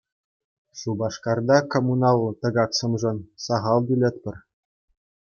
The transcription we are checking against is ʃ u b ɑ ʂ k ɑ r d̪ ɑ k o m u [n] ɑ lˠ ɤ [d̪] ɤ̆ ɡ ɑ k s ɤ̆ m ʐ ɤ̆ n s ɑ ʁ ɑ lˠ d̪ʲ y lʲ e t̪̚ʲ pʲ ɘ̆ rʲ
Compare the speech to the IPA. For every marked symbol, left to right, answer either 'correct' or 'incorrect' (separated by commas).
correct, incorrect